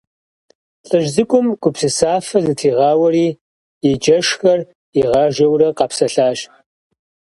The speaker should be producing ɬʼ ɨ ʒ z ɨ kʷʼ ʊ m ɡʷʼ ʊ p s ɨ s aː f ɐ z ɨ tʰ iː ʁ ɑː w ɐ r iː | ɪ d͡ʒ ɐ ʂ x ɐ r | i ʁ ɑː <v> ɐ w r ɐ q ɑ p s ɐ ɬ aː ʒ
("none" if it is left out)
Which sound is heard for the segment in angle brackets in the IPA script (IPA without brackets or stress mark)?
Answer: ʒ